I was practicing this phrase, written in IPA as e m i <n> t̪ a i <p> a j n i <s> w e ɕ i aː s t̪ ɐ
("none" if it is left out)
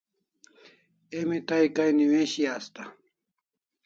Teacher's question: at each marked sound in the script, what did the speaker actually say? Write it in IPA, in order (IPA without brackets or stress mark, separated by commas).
none, k, none